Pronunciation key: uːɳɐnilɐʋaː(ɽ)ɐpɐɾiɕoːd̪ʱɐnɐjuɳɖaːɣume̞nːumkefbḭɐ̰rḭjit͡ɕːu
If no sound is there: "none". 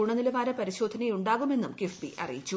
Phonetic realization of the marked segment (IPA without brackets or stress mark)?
ɾ